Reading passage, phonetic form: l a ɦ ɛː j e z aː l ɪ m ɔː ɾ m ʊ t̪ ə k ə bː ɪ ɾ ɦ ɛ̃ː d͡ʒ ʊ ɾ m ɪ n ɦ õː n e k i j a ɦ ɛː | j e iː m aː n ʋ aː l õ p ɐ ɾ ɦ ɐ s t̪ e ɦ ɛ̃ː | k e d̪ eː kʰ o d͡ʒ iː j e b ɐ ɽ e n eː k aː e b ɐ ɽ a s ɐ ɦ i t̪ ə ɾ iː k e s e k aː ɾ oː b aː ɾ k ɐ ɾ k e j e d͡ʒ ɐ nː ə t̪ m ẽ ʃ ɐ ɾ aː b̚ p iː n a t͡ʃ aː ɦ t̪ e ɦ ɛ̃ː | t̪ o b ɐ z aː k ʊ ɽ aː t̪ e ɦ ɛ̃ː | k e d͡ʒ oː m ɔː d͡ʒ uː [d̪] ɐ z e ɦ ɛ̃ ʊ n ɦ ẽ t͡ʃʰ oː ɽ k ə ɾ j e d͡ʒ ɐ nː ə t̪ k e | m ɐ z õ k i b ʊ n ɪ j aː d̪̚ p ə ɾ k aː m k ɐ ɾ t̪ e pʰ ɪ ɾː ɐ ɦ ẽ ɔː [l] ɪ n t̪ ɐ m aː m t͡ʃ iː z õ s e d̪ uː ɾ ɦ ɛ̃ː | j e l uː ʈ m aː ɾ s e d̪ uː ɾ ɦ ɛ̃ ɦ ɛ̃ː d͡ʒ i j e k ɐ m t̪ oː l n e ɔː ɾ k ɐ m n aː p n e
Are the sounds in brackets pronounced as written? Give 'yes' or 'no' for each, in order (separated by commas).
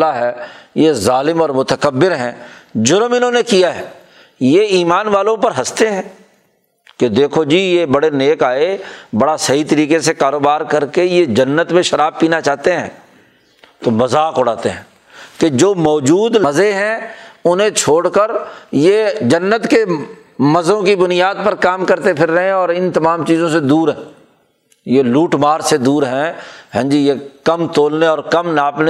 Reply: yes, no